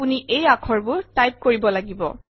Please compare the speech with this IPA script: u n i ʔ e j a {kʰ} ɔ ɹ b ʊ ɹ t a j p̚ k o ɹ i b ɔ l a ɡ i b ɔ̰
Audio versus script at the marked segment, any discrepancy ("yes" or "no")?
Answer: no